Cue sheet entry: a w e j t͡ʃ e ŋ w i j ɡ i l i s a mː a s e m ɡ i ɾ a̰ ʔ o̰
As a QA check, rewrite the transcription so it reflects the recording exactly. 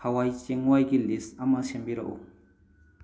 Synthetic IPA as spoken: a w a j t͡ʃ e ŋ w a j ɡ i l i s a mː a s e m b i ɾ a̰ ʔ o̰